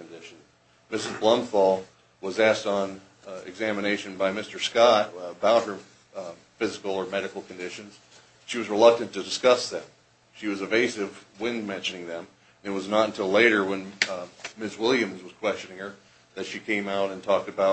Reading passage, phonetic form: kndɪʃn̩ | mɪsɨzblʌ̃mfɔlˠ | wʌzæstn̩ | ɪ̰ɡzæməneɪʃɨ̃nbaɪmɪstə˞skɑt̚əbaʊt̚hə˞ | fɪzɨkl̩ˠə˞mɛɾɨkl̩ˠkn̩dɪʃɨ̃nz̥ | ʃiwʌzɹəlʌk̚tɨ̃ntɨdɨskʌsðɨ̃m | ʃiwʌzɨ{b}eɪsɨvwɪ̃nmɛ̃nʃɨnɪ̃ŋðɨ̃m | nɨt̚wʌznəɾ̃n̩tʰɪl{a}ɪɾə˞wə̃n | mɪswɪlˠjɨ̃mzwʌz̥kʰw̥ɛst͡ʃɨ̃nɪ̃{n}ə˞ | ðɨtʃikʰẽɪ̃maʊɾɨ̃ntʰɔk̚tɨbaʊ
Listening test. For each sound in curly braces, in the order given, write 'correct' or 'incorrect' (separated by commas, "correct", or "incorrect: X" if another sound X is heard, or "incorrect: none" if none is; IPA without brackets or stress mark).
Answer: incorrect: v, incorrect: e, incorrect: ŋ